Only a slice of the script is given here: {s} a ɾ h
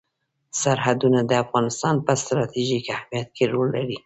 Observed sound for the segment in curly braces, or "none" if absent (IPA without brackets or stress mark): s